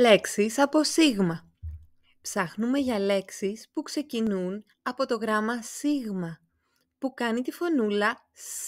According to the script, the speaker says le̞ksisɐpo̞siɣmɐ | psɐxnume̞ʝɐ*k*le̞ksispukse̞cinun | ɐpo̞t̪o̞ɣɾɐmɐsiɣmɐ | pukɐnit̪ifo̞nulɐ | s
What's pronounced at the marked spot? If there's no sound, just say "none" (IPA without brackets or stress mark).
none